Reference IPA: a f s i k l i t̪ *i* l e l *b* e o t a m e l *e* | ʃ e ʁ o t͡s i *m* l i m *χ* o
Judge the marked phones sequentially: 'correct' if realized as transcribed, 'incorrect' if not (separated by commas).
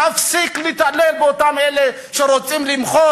incorrect, correct, correct, correct, correct